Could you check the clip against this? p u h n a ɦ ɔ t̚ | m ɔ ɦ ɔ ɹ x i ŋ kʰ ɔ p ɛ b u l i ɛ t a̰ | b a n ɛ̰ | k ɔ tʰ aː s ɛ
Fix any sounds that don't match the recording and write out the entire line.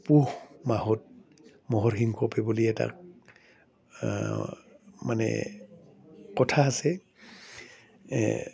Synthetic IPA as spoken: p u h m a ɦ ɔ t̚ | m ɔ ɦ ɔ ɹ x i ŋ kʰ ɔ p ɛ b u l i ɛ t a̰ | m a n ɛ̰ | k ɔ tʰ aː s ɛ